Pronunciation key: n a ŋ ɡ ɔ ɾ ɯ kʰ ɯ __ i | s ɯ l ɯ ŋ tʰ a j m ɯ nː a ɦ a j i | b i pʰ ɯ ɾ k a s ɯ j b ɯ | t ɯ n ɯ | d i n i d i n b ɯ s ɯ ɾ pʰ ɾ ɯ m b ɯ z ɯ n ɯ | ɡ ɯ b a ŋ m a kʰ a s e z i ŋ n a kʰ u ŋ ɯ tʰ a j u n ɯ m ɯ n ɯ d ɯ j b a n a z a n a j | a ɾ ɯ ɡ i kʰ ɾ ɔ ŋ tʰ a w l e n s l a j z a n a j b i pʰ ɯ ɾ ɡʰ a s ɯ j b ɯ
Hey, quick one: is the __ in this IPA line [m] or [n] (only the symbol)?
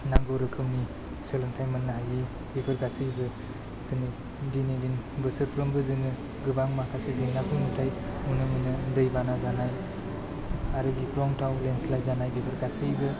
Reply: m